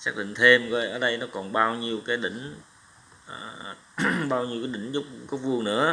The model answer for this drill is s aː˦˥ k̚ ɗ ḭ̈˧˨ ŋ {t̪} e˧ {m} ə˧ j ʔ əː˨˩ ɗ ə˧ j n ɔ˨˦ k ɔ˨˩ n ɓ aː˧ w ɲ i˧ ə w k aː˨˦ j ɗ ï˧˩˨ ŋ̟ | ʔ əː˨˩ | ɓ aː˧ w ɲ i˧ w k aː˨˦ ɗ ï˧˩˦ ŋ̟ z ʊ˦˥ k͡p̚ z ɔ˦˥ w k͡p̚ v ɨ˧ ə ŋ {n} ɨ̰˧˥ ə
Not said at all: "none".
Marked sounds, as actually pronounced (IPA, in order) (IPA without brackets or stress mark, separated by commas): t̪ʰ, m, n